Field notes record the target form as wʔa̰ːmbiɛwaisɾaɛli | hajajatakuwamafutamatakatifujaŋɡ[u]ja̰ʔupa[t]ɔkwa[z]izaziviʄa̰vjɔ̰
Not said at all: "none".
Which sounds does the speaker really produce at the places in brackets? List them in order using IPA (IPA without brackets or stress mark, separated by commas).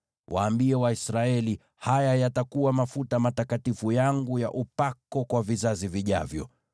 u, k, v